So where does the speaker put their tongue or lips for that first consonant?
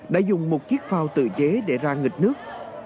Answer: tongue tip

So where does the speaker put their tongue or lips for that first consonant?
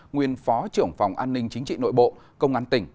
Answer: velum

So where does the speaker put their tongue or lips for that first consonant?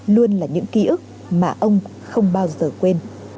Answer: tongue tip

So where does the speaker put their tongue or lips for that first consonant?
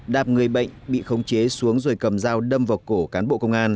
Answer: tongue tip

